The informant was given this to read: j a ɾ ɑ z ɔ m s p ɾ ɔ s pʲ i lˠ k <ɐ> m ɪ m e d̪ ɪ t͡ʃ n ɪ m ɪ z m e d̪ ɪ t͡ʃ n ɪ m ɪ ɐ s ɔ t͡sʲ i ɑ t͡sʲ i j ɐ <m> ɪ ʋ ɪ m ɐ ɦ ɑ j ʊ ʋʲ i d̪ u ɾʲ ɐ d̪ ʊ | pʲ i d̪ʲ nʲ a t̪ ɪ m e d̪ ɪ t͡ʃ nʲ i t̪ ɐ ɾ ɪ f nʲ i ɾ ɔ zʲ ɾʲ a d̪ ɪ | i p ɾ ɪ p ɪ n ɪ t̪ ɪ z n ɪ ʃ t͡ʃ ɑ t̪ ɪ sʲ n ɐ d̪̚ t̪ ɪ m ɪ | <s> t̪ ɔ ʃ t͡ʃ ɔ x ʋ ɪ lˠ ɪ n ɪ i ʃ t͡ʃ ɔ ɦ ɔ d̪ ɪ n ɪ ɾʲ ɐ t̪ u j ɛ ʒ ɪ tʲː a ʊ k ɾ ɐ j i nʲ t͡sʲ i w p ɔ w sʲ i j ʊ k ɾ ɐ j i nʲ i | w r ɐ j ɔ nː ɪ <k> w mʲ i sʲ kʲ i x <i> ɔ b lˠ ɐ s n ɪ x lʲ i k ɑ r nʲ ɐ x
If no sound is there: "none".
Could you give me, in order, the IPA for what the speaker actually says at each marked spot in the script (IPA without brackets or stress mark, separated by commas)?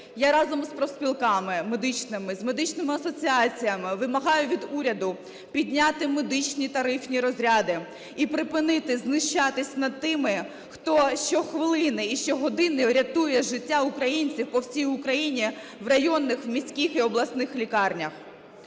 ɑ, m, x, x, i